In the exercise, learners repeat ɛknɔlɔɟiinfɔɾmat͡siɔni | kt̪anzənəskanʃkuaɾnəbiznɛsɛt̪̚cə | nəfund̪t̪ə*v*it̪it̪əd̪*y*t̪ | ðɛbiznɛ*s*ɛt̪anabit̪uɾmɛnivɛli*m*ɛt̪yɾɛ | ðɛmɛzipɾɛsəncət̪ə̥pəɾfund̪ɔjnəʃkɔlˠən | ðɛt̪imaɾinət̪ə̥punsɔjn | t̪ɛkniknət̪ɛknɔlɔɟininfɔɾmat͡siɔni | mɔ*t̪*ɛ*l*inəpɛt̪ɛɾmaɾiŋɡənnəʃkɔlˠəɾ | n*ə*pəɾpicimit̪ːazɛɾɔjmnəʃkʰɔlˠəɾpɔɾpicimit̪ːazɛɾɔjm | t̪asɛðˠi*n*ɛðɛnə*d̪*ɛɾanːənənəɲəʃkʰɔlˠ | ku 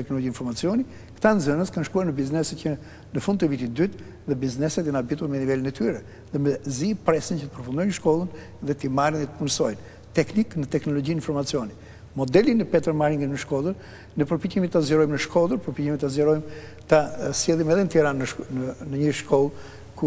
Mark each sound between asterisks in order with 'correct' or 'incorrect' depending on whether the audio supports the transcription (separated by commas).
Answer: correct, correct, correct, incorrect, incorrect, correct, correct, incorrect, incorrect